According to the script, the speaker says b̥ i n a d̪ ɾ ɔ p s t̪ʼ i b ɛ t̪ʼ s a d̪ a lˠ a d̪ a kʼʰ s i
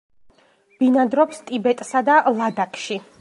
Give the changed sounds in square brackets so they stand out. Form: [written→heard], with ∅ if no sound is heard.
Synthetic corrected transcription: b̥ i n a d̪ ɾ ɔ p s t̪ʼ i b ɛ t̪ʼ s a d̪ a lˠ a d̪ a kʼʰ [s→ʃ] i

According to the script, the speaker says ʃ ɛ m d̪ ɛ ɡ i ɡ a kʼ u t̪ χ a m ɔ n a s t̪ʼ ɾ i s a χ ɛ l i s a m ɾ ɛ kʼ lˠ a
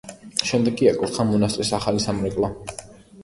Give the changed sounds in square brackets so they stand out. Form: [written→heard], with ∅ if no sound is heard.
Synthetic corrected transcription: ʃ ɛ m d̪ ɛ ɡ i [ɡ→∅] a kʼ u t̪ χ a m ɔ n a s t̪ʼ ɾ i s a χ [ɛ→a] l i s a m ɾ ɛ kʼ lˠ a

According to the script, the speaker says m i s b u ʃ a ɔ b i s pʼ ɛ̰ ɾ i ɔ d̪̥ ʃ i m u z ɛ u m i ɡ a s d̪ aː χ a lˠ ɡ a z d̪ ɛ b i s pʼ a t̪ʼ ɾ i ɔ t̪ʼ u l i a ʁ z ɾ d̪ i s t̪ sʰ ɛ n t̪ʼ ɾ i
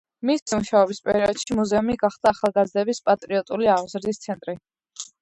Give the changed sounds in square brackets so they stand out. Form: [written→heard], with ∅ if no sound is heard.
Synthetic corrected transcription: m i s [b→m] u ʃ a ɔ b i s pʼ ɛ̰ ɾ i ɔ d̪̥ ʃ i m u z ɛ u m i ɡ a [s→χ] d̪ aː χ a lˠ ɡ a z d̪ ɛ b i s pʼ a t̪ʼ ɾ i ɔ t̪ʼ u l i a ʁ z ɾ d̪ i s t̪ sʰ ɛ n t̪ʼ ɾ i

